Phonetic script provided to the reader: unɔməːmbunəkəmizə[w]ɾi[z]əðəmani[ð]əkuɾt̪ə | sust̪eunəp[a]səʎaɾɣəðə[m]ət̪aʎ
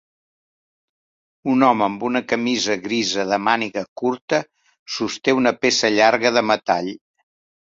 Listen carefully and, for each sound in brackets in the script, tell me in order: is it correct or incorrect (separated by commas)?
incorrect, correct, incorrect, incorrect, correct